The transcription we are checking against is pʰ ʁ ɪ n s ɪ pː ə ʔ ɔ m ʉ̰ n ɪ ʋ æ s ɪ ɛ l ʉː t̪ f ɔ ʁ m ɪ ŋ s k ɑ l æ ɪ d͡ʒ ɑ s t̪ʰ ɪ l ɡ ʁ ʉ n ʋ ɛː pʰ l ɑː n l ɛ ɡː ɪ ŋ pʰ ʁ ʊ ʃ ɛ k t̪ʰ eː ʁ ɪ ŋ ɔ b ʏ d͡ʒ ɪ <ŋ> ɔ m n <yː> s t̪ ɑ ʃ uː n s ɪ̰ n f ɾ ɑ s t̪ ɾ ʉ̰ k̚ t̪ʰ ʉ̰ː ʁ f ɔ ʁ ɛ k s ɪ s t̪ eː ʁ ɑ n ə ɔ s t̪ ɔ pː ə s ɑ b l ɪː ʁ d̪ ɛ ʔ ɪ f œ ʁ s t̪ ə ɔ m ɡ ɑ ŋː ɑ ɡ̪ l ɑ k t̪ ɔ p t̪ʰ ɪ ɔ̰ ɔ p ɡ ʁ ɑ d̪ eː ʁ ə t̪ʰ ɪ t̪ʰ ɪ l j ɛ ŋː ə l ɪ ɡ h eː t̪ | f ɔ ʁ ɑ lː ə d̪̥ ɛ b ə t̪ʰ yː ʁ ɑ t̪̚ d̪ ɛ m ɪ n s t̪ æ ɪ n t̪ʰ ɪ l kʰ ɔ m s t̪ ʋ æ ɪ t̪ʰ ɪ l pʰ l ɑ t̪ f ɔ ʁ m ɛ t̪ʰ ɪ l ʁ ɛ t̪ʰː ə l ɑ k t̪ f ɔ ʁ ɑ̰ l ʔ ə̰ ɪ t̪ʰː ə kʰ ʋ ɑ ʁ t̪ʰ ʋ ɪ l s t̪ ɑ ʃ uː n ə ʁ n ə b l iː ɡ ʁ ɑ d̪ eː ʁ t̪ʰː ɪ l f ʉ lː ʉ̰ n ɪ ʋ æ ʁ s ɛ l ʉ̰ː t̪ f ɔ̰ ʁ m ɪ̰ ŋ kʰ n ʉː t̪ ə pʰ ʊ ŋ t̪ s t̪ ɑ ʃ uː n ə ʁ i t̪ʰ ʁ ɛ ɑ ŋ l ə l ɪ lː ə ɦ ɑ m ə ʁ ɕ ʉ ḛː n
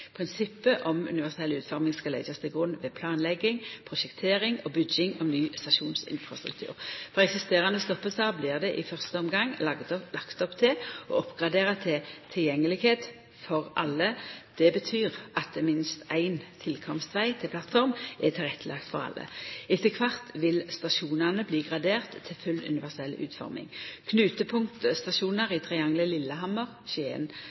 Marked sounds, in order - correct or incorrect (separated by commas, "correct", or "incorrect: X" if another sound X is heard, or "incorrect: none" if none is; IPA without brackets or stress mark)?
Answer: correct, correct